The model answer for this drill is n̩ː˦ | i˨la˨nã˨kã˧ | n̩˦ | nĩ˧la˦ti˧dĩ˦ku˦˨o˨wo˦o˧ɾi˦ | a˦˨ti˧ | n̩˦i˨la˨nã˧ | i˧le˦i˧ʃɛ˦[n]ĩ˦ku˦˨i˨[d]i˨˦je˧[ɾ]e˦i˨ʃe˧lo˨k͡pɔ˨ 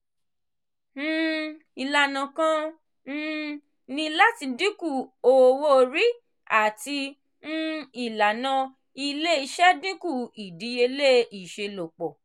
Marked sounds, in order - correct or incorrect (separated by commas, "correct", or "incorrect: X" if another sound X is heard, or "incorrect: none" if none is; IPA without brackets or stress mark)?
incorrect: d, correct, incorrect: l